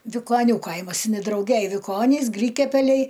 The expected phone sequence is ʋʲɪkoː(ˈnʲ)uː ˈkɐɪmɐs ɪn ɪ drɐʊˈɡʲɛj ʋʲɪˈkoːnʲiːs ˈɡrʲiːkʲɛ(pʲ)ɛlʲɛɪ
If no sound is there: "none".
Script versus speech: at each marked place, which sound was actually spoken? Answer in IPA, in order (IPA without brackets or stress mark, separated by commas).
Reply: nʲ, pʲ